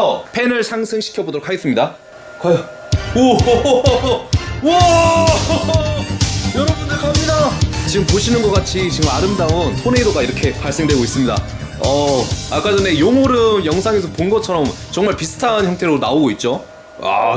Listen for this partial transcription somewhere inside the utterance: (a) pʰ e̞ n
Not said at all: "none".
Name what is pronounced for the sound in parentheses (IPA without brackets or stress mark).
ʌ